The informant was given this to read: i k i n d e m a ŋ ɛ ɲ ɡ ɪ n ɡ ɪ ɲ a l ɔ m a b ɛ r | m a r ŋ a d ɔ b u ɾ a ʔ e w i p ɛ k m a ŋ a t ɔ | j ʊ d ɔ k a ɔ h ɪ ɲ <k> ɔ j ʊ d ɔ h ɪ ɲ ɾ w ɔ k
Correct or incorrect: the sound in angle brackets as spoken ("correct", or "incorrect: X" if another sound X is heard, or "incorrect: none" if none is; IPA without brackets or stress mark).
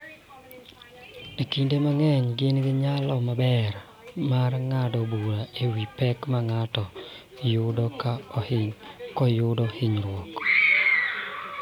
correct